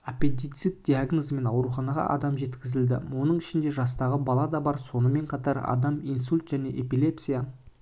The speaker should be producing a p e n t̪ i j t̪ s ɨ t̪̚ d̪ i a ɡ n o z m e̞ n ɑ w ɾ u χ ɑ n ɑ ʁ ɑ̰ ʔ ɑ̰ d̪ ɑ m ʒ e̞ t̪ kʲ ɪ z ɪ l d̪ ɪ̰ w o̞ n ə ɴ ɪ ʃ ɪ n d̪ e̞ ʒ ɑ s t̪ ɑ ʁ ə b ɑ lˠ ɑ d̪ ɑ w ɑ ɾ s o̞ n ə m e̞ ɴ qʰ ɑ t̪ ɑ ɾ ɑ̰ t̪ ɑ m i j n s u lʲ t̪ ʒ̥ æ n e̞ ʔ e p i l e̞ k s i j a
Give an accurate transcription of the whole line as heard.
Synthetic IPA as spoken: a p e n t̪ i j t̪ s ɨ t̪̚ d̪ i a ɡ n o z m e̞ n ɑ w ɾ u χ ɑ n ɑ ʁ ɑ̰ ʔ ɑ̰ d̪ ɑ m ʒ e̞ t̪ kʲ ɪ z ɪ l d̪ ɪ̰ w o̞ n ə ɴ ɪ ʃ ɪ n d̪ e̞ ʒ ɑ s t̪ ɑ ʁ ə b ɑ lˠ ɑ d̪ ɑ b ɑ ɾ s o̞ n ə m e̞ ɴ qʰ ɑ t̪ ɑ ɾ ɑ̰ d̪ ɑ m i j n s u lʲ t̪ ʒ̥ æ n e̞ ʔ e p i l e̞ p s i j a